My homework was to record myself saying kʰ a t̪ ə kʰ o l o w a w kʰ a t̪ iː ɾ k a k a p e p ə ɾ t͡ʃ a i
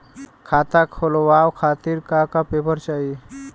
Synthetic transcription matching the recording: kʰ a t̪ a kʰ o l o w a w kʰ a t̪ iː ɾ k a k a p e p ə ɾ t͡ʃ a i